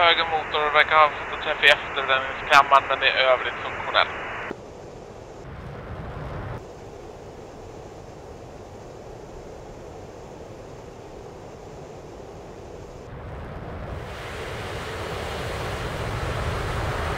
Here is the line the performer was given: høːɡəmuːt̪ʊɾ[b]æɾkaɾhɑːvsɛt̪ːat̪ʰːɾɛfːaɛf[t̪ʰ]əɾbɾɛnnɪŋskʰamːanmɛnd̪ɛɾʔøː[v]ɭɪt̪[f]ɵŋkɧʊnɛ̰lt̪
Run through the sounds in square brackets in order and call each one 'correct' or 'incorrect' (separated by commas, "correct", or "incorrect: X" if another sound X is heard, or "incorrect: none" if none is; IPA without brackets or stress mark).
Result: incorrect: v, incorrect: t̪, correct, correct